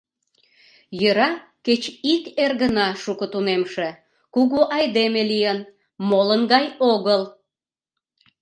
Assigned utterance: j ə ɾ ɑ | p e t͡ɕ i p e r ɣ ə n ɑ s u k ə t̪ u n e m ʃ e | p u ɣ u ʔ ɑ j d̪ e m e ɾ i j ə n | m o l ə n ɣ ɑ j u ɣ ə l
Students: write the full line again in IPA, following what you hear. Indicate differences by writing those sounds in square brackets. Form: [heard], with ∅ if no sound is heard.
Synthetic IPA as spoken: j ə ɾ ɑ | [k] e t͡ɕ i [k] e r ɣ ə n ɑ [ʃ] u k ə t̪ u n e m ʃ e | [k] u ɣ u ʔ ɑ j d̪ e m e [l] i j ə n | m o l ə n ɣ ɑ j [o] ɣ ə l